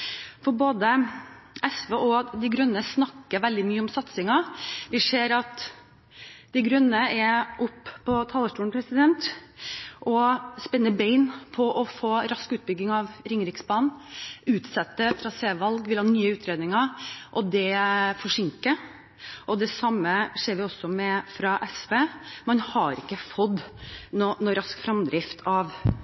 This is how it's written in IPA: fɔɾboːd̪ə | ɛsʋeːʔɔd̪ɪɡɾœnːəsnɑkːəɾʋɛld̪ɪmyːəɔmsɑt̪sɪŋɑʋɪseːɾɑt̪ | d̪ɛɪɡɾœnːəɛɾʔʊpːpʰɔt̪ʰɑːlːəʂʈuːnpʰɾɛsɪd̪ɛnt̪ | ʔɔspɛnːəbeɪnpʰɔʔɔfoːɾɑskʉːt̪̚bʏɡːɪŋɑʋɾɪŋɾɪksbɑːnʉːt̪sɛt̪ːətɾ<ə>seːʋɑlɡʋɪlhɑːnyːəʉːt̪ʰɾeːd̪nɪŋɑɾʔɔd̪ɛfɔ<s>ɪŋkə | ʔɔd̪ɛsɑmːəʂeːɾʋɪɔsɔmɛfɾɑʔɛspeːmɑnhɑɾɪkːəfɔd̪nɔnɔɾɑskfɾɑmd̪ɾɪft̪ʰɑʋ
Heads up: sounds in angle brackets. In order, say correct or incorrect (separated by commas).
incorrect, incorrect